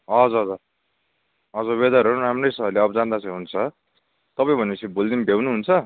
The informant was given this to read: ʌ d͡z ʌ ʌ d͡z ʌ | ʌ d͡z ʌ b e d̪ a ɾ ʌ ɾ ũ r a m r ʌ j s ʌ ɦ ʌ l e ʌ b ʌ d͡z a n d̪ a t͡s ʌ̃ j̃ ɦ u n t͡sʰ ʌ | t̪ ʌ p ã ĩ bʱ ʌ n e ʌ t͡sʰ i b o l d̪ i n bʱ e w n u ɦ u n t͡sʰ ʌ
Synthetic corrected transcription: ʌ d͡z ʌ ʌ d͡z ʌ | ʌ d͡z ʌ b e d̪ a ɾ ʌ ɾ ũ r a m r ʌ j s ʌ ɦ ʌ l e ʌ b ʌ d͡z a n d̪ a t͡s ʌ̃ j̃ ɦ u n t͡sʰ ʌ | t̪ ʌ p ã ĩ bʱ ʌ n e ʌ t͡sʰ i b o l d̪ i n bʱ e w n u ɦ u n t͡sʰ ʌ